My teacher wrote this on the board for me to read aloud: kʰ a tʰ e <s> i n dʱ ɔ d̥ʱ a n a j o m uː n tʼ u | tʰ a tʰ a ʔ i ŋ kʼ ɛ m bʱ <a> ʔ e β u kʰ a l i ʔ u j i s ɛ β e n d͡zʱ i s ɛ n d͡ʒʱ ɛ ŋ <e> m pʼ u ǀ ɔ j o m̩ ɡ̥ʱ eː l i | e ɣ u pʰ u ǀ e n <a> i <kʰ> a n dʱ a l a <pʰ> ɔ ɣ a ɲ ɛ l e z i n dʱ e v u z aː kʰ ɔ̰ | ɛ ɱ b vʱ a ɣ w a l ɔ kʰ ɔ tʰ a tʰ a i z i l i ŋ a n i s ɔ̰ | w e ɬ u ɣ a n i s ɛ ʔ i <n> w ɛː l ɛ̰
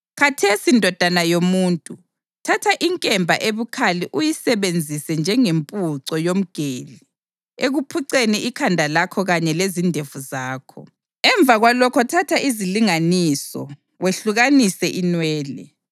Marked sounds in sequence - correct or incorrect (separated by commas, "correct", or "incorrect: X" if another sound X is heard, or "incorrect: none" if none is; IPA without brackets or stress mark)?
correct, correct, correct, incorrect: i, correct, incorrect: kʰ, correct